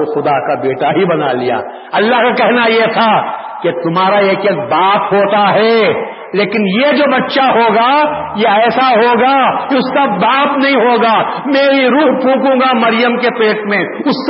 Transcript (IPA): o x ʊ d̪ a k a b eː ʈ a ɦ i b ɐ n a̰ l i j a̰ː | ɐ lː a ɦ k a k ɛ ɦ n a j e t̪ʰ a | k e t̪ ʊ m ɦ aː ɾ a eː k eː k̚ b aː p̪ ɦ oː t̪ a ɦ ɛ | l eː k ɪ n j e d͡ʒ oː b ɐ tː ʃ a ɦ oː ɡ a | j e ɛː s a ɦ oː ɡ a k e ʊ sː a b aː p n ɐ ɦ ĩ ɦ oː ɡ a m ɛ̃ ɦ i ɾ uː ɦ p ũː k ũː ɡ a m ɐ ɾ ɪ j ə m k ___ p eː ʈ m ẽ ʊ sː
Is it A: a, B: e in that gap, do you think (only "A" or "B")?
B